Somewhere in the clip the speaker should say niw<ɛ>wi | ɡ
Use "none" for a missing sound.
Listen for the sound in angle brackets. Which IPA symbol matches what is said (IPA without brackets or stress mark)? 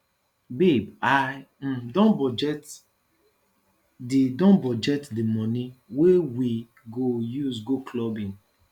e